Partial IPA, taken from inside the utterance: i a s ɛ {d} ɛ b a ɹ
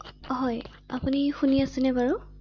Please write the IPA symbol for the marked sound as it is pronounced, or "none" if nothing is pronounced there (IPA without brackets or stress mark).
n